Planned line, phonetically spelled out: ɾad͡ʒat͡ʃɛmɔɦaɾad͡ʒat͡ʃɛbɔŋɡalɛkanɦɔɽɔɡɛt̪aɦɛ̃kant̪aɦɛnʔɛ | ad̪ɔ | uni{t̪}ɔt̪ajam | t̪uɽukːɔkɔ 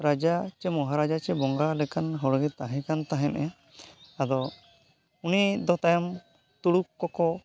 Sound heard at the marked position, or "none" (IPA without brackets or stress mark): d̪